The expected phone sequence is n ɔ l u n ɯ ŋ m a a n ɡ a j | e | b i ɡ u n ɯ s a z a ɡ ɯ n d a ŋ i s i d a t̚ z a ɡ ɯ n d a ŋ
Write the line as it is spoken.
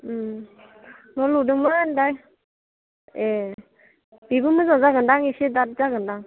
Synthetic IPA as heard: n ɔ l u d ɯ ŋ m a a n d a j | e | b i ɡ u m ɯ z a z a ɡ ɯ n d a ŋ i s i d a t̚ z a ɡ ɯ n d a ŋ